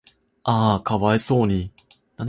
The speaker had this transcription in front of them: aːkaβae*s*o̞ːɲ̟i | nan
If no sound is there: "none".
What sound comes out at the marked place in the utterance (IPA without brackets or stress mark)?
s